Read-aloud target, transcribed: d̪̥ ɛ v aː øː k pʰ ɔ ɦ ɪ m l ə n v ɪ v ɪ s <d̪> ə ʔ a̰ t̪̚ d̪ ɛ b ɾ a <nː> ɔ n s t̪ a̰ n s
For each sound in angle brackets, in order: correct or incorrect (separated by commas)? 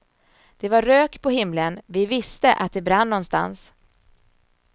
incorrect, correct